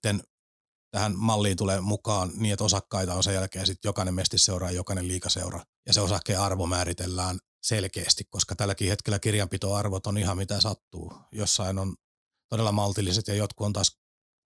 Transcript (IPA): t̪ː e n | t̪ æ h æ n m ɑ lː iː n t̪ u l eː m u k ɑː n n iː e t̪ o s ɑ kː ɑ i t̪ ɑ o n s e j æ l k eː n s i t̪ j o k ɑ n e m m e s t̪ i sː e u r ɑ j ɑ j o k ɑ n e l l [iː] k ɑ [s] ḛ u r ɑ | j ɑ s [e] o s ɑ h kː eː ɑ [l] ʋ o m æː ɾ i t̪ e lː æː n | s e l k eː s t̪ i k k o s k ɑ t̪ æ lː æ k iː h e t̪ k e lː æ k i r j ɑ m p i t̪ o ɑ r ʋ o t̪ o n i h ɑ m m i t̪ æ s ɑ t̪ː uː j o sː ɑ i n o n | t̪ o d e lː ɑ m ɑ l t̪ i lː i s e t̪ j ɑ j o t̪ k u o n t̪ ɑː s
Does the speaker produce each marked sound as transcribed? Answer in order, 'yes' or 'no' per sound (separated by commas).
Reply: yes, yes, yes, no